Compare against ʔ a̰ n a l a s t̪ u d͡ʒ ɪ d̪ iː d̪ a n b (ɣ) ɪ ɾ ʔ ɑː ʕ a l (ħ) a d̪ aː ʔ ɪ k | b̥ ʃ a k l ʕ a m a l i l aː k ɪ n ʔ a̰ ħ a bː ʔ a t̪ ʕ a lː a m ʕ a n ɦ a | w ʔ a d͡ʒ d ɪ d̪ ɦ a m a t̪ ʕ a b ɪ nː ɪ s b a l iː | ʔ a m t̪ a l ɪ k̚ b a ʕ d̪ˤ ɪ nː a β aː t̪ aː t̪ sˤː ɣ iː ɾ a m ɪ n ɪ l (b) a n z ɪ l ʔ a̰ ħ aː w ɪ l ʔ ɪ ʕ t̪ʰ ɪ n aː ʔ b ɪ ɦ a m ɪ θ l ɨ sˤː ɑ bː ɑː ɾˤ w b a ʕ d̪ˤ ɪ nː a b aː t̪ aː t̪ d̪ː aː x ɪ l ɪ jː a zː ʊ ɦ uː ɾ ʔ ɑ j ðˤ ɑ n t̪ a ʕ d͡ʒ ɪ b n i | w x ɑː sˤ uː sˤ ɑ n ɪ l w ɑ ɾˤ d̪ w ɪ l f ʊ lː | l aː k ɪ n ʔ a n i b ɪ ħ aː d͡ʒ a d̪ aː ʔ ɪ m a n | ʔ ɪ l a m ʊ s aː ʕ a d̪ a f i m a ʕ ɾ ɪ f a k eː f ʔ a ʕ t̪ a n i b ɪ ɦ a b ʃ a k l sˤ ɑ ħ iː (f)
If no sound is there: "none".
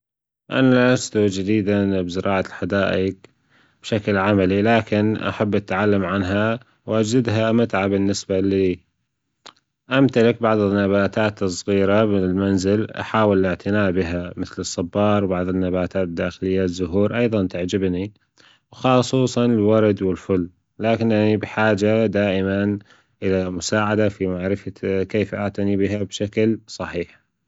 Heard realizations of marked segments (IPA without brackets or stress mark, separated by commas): z, ħ, m, ħ